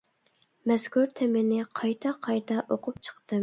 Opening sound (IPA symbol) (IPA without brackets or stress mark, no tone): m